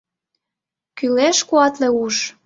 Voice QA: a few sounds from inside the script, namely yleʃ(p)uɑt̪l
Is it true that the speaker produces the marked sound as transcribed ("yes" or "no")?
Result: no